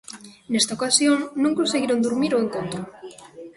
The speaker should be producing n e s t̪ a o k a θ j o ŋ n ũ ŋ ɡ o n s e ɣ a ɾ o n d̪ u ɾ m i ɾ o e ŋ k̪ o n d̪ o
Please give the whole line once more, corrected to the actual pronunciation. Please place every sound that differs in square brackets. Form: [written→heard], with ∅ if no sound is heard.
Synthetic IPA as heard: n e s t̪ a o k a [θ→s] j o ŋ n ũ ŋ [ɡ→k] o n s e ɣ [a→i] ɾ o n d̪ u ɾ m i ɾ o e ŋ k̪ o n [d̪→t̪] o